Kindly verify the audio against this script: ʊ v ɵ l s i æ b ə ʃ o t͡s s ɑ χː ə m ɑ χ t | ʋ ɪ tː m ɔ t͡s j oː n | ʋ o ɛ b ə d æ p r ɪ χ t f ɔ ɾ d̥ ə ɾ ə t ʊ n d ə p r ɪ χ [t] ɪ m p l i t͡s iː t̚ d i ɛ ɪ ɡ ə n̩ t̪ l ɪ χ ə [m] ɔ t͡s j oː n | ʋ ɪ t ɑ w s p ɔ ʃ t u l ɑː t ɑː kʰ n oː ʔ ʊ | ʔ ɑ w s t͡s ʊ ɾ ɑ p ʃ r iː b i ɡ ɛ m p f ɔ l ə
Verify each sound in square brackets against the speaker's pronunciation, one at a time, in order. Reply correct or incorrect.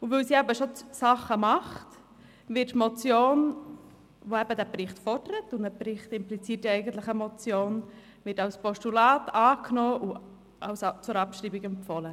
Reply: correct, correct

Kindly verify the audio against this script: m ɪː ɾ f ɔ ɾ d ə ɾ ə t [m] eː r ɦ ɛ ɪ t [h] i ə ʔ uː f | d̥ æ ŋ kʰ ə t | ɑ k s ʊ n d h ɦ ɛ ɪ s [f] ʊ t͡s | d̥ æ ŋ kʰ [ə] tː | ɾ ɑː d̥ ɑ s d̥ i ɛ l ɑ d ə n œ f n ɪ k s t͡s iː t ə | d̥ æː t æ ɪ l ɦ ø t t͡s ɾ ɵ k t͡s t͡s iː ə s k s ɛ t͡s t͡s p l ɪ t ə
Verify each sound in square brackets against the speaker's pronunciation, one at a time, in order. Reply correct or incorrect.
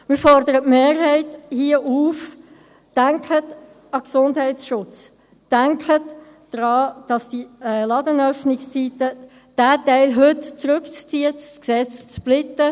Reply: correct, correct, incorrect, correct

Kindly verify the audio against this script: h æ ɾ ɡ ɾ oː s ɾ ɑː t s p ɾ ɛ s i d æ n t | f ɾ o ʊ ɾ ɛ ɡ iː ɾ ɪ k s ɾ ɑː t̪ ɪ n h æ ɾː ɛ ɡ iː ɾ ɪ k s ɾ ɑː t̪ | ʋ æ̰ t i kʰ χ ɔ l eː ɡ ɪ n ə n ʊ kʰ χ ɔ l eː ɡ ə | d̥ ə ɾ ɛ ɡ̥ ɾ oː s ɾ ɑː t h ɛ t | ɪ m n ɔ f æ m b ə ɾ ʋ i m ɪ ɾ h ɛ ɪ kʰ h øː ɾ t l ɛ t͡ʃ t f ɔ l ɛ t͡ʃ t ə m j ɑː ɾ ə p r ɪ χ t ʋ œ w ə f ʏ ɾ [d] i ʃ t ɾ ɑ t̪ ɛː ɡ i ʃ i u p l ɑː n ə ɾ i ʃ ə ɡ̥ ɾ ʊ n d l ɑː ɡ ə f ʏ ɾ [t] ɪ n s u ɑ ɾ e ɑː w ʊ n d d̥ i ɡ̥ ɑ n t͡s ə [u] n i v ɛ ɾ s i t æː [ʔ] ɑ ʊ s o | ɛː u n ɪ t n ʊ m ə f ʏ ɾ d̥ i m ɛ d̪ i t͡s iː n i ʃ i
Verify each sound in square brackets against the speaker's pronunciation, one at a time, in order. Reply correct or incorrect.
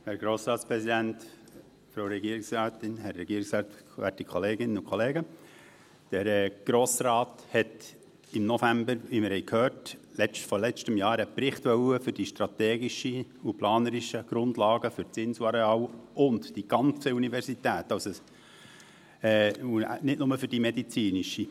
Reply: correct, incorrect, correct, incorrect

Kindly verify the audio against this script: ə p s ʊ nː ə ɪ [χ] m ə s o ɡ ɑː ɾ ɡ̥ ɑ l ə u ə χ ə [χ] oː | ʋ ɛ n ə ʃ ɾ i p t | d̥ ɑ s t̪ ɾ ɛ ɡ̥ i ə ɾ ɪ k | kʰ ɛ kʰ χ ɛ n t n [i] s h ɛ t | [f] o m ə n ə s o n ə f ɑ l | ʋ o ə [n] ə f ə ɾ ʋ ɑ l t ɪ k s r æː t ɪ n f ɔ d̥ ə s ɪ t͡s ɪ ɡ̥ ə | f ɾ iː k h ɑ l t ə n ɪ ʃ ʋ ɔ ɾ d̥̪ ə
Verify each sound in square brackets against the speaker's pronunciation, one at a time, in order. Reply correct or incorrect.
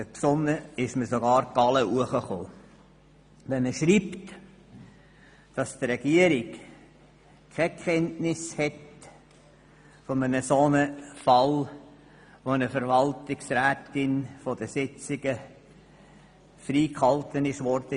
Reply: incorrect, correct, incorrect, correct, correct

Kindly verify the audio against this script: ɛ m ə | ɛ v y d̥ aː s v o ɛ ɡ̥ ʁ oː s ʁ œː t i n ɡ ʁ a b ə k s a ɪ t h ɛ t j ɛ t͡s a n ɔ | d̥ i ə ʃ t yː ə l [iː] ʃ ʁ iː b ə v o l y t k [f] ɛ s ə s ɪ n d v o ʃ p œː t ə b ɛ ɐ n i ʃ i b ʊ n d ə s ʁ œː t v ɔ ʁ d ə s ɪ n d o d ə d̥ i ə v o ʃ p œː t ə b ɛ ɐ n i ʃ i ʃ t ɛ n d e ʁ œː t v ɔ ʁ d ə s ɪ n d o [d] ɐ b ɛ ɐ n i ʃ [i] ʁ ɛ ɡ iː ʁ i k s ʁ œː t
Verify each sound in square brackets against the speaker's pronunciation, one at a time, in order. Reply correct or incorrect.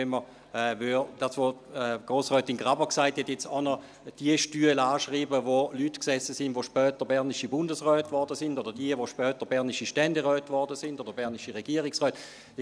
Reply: incorrect, incorrect, correct, correct

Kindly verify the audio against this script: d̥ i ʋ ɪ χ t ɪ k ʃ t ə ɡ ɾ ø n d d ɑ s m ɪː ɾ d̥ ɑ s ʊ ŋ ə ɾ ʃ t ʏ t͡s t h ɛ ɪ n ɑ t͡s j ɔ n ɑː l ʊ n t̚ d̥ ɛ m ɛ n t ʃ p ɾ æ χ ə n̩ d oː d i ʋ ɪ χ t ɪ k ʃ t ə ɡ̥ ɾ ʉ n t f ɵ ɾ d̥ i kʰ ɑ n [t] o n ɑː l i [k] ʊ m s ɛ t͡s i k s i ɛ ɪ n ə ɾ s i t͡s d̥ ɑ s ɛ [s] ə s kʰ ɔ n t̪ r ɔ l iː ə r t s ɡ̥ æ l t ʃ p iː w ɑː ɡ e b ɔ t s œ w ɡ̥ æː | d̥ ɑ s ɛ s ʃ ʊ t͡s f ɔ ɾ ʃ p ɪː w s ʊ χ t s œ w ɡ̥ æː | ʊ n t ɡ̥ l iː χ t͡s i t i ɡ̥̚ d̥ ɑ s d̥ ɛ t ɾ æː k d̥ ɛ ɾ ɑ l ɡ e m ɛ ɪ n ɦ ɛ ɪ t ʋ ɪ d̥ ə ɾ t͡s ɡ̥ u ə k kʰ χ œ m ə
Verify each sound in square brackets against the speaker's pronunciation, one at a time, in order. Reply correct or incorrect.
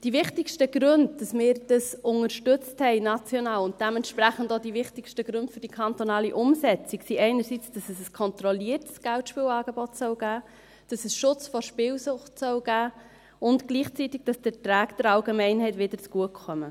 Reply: correct, incorrect, correct

